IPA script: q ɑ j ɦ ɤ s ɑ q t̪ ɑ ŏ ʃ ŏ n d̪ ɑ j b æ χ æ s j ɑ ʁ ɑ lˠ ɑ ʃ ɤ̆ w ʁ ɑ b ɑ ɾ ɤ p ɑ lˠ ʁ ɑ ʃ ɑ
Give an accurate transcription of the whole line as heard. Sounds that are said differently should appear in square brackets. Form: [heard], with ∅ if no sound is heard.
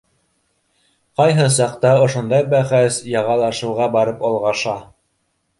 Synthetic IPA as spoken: q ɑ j ɦ ɤ s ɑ q t̪ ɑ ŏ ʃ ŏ n d̪ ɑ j b æ χ æ s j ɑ ʁ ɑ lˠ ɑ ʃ ɤ̆ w ʁ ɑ b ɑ ɾ ɤ p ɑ lˠ ʁ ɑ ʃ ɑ